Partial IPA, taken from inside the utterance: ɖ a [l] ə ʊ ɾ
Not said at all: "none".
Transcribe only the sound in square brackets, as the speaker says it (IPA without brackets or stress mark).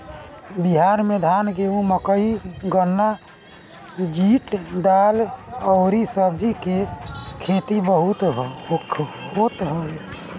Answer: l